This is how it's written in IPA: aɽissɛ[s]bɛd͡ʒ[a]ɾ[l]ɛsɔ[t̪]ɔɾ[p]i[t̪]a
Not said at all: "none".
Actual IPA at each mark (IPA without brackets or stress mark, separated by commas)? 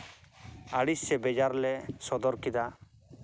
none, a, l, d̪, k, d̪